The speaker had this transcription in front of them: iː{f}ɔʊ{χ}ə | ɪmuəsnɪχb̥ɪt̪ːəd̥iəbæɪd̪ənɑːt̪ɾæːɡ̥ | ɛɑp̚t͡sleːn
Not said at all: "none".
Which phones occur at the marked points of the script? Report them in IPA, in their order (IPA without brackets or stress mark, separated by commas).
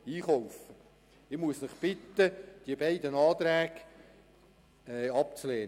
χ, f